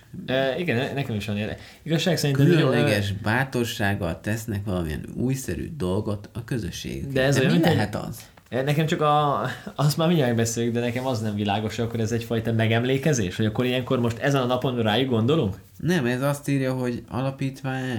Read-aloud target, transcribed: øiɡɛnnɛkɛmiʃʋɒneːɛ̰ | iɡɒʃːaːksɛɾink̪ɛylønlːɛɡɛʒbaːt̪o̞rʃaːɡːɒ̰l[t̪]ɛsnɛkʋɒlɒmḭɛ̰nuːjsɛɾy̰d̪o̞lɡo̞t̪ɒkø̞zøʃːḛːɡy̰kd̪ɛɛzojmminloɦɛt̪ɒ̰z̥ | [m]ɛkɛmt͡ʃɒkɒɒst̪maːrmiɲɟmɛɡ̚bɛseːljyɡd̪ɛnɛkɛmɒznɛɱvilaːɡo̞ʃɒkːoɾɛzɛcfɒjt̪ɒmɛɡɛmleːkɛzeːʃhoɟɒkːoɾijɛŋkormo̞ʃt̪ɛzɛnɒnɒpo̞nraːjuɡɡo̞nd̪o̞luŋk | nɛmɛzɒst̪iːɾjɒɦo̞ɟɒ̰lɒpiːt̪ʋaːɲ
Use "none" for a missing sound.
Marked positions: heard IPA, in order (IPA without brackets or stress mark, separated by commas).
t̪, n